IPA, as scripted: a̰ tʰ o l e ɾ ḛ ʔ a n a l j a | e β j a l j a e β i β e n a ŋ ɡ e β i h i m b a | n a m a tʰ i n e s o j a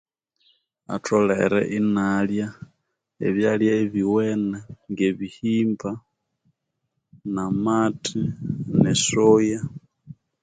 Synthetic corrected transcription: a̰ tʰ o l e ɾ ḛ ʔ i n a l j a | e β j a l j a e β i w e n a ŋ ɡ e β i h i m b a | n a m a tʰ i n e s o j a